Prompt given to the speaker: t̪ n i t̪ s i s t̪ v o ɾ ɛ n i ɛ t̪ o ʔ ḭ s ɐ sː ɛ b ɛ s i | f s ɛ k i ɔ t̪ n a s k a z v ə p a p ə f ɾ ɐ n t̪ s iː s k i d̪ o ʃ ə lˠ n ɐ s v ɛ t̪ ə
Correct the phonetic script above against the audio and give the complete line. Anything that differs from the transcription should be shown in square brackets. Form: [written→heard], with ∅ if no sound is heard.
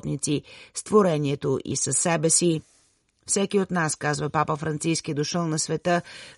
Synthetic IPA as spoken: t̪ n i t̪ s i s t̪ v o ɾ ɛ n i ɛ t̪ o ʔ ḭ s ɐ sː ɛ b ɛ s i | f s ɛ k i [ɔ→o] t̪ n a s k a z v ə p a p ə f ɾ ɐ n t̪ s [iː→i] s k i d̪ o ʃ ə lˠ n ɐ s v ɛ t̪ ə